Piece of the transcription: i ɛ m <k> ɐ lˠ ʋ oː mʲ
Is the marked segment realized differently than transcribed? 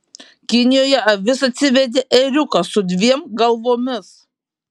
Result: yes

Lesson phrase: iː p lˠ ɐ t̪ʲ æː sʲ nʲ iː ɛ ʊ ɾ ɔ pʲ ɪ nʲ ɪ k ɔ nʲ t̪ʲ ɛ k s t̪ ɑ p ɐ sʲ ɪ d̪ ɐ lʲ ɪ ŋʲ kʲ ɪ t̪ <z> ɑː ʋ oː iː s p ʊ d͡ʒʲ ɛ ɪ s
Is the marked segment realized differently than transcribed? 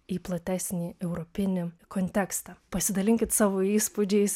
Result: yes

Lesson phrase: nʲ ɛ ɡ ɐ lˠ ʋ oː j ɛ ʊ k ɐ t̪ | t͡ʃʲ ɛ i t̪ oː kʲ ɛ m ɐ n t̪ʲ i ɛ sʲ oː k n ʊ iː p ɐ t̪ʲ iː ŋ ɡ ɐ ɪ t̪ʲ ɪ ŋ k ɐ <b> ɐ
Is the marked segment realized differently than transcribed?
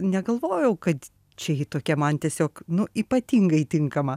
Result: yes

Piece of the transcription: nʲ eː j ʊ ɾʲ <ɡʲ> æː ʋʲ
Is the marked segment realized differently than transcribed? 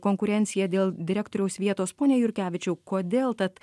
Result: yes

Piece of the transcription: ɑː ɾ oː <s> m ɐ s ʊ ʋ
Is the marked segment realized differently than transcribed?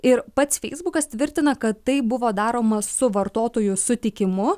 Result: yes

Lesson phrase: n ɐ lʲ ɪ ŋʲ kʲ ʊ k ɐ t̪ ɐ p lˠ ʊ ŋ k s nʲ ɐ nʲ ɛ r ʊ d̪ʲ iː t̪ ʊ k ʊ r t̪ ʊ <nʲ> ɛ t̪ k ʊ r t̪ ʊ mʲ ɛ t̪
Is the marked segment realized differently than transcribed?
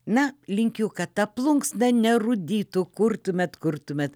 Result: yes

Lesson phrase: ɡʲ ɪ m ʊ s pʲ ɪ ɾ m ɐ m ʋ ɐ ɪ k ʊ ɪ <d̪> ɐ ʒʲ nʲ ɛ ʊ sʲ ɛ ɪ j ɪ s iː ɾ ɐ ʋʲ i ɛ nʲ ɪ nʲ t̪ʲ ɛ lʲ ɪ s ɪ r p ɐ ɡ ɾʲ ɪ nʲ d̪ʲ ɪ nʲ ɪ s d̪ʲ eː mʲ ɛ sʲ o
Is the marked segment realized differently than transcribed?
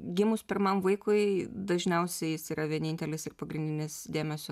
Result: no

